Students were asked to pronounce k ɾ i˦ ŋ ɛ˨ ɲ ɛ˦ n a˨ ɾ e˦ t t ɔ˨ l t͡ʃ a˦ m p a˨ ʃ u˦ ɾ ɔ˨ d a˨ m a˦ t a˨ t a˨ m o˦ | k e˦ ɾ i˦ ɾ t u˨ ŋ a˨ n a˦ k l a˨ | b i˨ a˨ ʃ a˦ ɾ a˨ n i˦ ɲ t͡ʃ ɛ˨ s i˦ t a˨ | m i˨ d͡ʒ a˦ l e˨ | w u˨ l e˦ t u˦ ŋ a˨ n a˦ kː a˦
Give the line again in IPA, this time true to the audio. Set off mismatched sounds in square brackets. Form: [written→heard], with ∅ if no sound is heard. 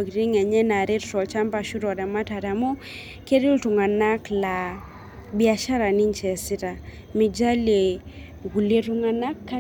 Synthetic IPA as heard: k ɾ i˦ ŋ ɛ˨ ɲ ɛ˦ n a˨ ɾ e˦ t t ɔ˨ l t͡ʃ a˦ m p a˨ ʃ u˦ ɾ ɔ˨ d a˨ m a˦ t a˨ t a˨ m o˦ | k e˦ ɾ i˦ [ɾ→l] t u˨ ŋ a˨ n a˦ k l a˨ | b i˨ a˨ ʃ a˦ ɾ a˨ n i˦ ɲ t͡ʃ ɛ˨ s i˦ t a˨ | m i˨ d͡ʒ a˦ l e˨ | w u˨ l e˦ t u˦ ŋ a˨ n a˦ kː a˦

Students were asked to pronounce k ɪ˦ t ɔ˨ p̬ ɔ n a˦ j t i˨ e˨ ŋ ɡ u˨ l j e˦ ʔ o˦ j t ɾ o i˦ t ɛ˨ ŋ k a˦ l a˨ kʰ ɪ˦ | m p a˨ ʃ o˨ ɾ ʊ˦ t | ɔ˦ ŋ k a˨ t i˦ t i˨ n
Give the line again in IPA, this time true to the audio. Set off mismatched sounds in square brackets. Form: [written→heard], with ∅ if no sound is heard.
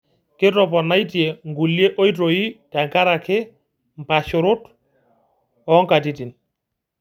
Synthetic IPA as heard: k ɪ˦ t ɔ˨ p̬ ɔ n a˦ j t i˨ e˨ ŋ ɡ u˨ l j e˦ ʔ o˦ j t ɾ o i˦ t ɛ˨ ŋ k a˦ [l→ɾ] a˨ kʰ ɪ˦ | m p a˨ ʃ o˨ ɾ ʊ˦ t | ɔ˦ ŋ k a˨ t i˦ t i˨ n

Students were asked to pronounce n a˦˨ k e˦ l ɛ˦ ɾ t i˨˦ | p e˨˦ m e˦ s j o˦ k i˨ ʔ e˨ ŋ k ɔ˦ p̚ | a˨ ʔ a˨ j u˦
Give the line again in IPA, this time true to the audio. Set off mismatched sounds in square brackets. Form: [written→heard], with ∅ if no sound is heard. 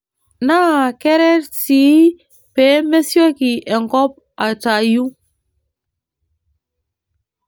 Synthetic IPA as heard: n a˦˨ k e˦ [l→ɾ] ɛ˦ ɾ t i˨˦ | p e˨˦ m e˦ s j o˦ k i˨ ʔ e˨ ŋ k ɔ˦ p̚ | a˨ [ʔ→t] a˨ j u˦

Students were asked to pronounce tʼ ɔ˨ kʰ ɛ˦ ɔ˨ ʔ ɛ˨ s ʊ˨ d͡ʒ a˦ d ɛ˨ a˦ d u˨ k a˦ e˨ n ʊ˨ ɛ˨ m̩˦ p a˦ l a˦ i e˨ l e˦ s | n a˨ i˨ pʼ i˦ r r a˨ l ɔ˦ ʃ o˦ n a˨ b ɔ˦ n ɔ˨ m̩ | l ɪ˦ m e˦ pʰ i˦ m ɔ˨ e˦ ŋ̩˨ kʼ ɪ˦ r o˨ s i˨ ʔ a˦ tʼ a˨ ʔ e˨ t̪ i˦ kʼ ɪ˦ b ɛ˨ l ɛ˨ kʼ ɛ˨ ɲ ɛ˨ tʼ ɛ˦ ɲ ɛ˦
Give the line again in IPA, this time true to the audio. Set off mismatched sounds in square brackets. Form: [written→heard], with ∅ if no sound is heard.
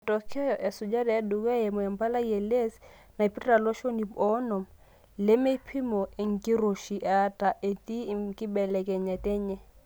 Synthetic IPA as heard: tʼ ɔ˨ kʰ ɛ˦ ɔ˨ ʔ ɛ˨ s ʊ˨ d͡ʒ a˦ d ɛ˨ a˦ d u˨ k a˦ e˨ [n→m] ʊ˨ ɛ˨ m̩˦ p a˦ l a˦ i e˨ l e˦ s | n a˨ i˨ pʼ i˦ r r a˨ l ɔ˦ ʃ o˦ n [a˨→i˨] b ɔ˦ n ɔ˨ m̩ | l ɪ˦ m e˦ pʰ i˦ m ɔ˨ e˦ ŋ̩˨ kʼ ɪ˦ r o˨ [s→ʃ] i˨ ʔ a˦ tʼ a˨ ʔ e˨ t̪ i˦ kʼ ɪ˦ b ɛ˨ l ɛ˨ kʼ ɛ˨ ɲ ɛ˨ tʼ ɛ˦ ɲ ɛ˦

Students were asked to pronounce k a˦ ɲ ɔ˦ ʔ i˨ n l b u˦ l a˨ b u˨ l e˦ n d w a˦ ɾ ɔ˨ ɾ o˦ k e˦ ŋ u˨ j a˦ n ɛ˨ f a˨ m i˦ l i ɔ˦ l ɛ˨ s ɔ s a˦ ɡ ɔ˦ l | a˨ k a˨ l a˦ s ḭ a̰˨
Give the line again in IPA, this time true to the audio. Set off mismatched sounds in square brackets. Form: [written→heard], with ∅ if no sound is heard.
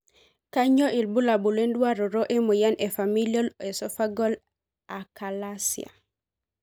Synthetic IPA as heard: k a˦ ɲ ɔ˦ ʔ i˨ [n→∅] l b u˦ l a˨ b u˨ l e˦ n d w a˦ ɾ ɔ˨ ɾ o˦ [k→ʔ] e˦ [ŋ→m] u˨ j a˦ n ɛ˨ f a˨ m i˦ l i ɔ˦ l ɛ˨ s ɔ [s→f] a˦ ɡ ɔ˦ l | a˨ k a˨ l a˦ s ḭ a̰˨

